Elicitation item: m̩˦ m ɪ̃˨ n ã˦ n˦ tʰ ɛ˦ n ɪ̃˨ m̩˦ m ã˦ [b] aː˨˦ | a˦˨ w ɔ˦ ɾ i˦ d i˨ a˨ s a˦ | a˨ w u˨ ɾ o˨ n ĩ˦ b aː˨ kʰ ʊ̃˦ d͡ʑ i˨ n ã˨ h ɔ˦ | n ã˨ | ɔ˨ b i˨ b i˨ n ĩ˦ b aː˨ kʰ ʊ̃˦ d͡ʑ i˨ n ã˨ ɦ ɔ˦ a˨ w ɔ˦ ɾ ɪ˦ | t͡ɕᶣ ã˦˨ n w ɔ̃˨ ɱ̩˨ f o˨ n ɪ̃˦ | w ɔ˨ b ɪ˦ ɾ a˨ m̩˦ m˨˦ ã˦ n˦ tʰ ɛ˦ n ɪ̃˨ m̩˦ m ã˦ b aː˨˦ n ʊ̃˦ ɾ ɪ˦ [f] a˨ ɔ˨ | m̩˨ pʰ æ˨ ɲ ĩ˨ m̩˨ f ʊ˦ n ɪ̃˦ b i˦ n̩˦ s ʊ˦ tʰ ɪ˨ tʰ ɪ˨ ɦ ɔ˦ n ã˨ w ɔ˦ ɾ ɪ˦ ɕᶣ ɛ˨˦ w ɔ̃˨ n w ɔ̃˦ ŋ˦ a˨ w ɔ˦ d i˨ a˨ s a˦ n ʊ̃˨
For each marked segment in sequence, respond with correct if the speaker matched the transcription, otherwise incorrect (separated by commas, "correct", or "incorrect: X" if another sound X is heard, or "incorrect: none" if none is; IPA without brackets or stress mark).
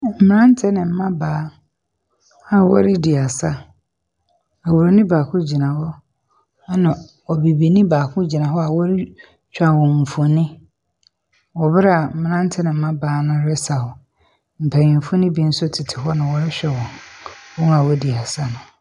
correct, incorrect: s